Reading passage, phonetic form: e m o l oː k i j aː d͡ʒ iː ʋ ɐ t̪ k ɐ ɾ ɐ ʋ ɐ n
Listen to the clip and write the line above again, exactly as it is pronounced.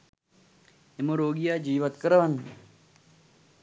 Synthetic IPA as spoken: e m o ɾ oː ɡ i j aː d͡ʒ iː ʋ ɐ t̪ k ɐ ɾ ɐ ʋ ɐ n